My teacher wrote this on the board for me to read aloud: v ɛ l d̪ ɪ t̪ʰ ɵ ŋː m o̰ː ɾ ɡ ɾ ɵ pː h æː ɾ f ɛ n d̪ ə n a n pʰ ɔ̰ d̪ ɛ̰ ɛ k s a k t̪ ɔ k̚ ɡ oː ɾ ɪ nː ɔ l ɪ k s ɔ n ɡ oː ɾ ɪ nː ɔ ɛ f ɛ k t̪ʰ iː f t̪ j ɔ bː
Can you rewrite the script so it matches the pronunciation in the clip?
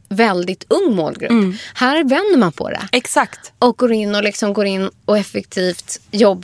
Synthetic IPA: v ɛ l d̪ ɪ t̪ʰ ɵ ŋː m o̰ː l ɡ ɾ ɵ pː h æː ɾ v ɛ n d̪ ə m a n pʰ ɔ̰ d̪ ɛ̰ ɛ k s a k t̪ ɔ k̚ ɡ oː ɾ ɪ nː ɔ l ɪ k s ɔ m ɡ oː ɾ ɪ nː ɔ ɛ f ɛ k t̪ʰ iː f t̪ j ɔ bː